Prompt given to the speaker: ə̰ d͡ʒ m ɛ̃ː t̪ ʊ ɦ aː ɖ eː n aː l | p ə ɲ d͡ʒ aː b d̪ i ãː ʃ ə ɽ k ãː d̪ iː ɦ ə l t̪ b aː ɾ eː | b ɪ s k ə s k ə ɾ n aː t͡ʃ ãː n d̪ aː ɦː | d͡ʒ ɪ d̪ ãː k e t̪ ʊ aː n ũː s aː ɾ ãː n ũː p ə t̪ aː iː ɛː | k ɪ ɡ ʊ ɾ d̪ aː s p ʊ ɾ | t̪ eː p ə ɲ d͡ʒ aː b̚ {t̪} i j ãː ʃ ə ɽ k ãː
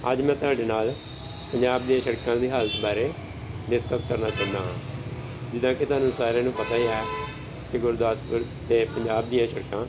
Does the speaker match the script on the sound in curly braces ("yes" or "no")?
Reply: no